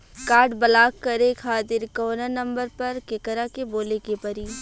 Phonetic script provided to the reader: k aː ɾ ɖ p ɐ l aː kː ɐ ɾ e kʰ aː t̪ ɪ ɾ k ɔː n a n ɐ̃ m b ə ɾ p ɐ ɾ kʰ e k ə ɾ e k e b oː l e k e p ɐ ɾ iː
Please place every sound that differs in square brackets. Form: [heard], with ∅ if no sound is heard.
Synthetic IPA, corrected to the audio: k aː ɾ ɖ [b] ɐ l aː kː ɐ ɾ e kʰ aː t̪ ɪ ɾ k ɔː n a n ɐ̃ m b ə ɾ p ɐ ɾ [k] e k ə ɾ [a] k e b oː l e k e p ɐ ɾ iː